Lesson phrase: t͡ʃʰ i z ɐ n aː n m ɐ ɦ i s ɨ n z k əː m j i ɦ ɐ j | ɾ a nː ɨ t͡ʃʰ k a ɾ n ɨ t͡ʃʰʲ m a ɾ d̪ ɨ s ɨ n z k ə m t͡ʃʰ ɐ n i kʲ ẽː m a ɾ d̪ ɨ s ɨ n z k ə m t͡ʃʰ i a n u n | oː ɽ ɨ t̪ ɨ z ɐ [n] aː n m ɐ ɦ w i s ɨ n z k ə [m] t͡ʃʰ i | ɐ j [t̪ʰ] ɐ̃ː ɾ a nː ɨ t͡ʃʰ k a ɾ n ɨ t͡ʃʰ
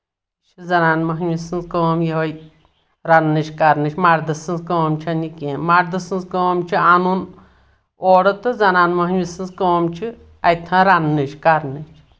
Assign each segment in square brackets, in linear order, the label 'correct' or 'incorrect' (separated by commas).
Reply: correct, correct, correct